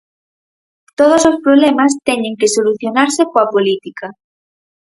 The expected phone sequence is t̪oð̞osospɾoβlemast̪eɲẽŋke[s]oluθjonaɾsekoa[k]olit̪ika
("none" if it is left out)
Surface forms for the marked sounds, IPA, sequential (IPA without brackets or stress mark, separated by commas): s, p